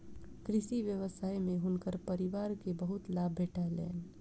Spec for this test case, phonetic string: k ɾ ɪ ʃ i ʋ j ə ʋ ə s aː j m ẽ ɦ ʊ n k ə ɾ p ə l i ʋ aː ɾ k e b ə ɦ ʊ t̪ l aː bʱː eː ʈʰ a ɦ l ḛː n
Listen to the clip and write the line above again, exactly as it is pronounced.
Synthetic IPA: k ɾ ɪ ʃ i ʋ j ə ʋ ə s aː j m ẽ ɦ ʊ n k ə ɾ p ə ɾ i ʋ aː ɾ k e b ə ɦ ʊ t̪ l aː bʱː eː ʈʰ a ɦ l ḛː n

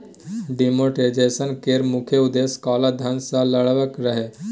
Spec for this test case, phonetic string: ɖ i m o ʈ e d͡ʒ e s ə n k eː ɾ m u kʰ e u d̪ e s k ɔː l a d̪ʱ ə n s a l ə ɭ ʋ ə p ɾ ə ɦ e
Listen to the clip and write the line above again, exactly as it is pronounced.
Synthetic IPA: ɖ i m o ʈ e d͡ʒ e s ə n k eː ɾ m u kʰ e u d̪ e s k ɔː l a d̪ʱ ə n s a l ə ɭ ʋ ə k ɾ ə ɦ e

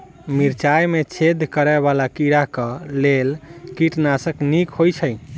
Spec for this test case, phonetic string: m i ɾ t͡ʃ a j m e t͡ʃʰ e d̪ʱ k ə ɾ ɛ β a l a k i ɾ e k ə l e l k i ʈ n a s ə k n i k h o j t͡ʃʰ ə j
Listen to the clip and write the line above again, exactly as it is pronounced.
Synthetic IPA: m i ɾ t͡ʃ a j m e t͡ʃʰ e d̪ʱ k ə ɾ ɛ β a l a k i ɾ a k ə l e l k i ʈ n a s ə k n i k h o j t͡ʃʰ ə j

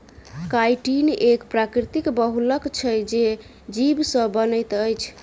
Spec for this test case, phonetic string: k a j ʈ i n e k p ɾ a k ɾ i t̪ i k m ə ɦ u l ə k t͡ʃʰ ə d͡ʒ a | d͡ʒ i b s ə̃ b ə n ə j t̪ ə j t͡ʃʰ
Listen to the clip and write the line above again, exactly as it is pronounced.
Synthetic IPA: k a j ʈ i n e k p ɾ a k ɾ i t̪ i k b ə ɦ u l ə k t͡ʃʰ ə d͡ʒ e | d͡ʒ i b s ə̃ b ə n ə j t̪ ə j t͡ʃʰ

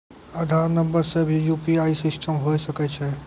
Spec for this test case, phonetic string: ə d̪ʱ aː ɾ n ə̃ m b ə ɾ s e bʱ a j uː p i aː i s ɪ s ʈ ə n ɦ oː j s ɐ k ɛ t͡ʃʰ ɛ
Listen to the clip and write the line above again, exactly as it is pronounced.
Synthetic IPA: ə d̪ʱ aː ɾ n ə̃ m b ə ɾ s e bʱ i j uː p i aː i s ɪ s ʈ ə m ɦ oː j s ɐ k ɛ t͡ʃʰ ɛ

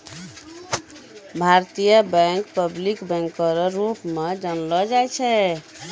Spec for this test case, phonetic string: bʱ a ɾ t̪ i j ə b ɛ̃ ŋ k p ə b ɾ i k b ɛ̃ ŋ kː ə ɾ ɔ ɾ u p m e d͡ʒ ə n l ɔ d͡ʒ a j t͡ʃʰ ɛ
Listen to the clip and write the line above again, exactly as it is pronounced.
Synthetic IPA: bʱ a ɾ t̪ i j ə b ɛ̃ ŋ k p ə b l i k b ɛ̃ ŋ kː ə ɾ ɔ ɾ u p m e d͡ʒ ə n l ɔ d͡ʒ a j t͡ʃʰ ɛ

